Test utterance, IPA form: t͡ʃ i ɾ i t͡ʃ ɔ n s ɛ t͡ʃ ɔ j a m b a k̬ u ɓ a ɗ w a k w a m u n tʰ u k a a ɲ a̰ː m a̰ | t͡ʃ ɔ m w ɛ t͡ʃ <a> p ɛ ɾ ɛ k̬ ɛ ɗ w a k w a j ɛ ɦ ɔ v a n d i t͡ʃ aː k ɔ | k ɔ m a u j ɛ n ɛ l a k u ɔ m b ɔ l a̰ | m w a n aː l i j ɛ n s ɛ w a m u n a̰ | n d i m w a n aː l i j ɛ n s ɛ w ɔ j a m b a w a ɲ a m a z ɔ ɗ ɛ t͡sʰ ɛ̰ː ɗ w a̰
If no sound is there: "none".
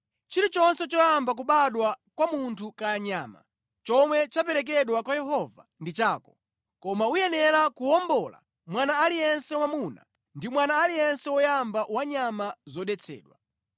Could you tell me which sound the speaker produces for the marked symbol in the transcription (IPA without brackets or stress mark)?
a